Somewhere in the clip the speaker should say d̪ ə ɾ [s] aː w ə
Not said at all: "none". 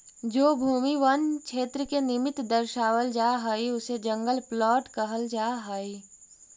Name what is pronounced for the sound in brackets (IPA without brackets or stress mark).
ʃ